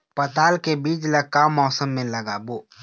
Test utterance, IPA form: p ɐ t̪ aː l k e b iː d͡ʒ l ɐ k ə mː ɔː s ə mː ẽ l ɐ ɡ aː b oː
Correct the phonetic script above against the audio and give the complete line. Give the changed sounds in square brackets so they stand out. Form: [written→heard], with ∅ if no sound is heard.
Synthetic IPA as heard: p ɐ t̪ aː l k e b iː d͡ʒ l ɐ k [ə→a] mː ɔː s ə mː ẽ l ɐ ɡ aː b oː